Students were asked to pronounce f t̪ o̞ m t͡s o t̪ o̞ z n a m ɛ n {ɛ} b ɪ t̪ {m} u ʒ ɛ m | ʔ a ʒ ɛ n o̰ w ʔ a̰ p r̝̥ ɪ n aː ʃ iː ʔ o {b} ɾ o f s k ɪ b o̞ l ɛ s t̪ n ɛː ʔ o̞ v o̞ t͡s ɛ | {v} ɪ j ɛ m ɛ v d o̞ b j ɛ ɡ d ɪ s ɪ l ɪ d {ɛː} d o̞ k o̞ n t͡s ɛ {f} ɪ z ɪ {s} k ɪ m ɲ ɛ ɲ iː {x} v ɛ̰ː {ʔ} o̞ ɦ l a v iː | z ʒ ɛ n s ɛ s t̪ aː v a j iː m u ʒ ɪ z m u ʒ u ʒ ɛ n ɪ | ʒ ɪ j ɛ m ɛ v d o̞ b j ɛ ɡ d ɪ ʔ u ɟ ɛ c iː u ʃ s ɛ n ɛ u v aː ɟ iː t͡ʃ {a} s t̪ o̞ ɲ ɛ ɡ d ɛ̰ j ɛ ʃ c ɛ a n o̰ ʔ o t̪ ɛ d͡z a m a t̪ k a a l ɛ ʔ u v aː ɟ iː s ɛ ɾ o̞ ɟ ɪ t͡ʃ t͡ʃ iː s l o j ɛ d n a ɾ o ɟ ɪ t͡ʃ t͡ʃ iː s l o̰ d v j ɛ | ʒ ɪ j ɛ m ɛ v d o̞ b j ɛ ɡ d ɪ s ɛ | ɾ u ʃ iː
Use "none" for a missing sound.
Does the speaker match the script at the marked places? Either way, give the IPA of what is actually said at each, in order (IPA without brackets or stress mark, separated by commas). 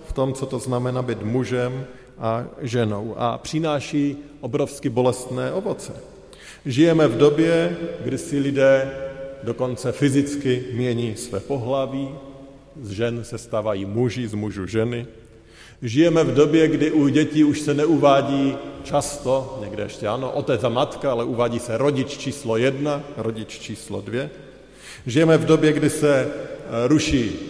a, m, b, ʒ, ɛː, f, t͡s, s, p, a